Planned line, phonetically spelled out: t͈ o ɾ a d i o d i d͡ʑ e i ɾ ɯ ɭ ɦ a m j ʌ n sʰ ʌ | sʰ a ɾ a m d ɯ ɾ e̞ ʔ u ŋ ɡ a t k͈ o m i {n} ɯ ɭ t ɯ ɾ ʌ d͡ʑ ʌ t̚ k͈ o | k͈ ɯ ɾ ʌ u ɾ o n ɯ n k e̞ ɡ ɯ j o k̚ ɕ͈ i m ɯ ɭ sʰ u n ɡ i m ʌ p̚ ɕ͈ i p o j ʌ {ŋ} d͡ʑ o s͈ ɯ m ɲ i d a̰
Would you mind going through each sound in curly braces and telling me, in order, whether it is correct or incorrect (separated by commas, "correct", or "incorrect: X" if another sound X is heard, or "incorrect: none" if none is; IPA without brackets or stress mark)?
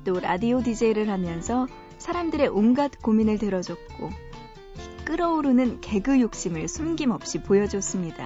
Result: correct, incorrect: none